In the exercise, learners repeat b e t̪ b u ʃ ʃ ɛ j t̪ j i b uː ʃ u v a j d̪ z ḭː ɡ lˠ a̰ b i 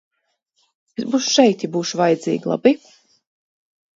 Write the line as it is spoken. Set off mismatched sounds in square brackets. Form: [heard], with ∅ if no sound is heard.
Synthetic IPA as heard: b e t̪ b u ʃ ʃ ɛ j t̪ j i b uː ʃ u v a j d̪ z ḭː ɡ lˠ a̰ b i